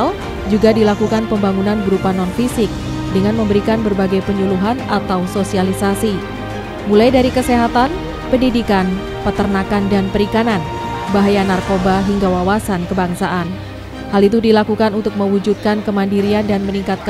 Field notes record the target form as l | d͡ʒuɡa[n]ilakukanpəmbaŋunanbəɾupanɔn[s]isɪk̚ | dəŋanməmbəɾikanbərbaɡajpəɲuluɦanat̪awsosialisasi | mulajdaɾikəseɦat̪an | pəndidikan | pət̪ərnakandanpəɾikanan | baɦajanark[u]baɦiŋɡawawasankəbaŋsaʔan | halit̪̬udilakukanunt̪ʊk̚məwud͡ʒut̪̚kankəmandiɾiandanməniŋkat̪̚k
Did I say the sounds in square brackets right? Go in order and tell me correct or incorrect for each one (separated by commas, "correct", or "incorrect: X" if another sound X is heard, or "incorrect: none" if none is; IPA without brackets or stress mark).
incorrect: d, incorrect: f, incorrect: o